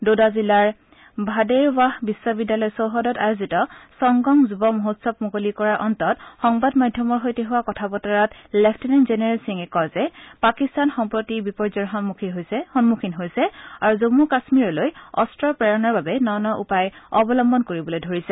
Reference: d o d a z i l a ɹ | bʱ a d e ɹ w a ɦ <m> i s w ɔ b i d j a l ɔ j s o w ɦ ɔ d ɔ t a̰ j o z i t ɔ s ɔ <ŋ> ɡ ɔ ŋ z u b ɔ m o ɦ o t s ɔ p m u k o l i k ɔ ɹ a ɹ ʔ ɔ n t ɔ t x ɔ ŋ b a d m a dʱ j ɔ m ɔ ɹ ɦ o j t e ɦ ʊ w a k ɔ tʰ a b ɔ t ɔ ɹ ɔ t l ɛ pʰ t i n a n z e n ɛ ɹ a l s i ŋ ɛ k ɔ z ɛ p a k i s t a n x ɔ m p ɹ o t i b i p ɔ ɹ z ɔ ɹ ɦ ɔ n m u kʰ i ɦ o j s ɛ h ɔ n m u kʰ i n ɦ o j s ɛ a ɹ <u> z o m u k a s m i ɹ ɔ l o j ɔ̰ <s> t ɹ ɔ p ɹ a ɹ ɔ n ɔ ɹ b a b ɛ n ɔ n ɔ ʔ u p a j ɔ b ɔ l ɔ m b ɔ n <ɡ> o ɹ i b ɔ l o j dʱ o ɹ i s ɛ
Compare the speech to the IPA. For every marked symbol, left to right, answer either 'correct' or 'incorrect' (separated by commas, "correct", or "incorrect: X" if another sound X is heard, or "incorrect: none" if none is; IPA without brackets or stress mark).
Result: incorrect: b, correct, correct, correct, incorrect: k